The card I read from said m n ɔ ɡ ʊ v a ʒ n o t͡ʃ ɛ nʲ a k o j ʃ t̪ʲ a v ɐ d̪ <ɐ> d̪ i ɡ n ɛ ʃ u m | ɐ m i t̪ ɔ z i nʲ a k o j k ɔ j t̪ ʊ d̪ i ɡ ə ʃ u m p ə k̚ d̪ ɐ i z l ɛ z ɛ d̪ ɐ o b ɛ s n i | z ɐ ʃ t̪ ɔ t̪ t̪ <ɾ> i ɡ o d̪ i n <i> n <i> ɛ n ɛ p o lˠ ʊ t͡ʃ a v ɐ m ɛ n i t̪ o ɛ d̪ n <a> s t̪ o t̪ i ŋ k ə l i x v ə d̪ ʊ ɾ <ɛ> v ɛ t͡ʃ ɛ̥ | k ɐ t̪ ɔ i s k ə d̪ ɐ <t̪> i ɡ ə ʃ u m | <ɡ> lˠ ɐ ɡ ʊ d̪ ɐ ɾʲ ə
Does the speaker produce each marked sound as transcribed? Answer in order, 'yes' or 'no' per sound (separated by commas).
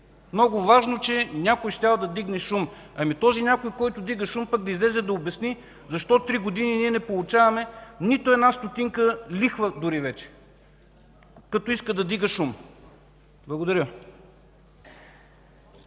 yes, yes, yes, yes, yes, no, no, no